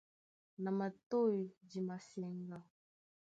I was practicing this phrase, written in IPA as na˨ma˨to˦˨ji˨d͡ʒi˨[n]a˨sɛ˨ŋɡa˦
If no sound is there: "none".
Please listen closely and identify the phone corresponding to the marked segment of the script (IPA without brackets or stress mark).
m